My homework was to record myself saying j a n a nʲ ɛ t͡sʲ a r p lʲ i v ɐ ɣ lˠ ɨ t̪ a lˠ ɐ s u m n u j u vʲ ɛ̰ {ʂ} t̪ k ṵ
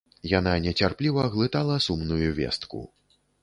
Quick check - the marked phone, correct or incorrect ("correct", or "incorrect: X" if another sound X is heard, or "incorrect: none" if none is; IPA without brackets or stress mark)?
incorrect: s